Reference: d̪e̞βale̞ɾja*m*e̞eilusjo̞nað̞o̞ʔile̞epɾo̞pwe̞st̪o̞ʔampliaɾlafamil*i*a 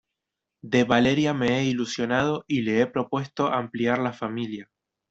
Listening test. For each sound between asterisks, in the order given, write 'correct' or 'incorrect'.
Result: correct, incorrect: j

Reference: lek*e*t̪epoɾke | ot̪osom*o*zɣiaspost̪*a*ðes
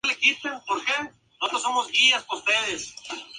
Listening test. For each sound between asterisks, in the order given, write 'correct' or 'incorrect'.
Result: incorrect: i, correct, incorrect: e

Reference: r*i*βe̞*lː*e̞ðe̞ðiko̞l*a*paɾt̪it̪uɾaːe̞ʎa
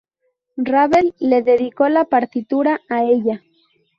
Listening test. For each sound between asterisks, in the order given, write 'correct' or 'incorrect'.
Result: incorrect: a, correct, correct

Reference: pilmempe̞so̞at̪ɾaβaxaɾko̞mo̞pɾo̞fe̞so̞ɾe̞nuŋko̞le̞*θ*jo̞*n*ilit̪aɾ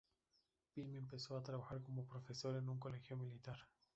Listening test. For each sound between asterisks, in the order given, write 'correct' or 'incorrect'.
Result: incorrect: x, incorrect: m

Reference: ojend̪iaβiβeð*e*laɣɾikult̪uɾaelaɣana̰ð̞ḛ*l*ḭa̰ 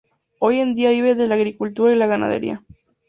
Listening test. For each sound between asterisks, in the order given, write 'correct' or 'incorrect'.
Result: correct, incorrect: ɾ

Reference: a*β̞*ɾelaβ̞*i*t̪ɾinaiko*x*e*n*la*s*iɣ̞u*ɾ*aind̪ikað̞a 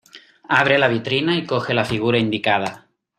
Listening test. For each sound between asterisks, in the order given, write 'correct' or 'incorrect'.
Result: correct, correct, correct, incorrect: none, incorrect: f, correct

